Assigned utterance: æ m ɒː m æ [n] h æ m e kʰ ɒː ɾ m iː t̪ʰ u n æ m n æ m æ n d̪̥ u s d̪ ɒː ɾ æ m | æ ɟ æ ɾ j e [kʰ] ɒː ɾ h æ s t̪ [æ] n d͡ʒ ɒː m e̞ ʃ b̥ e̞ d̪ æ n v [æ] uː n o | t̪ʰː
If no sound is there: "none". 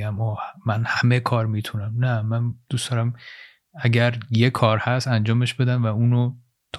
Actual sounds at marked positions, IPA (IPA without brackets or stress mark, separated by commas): n, kʰ, æ, æ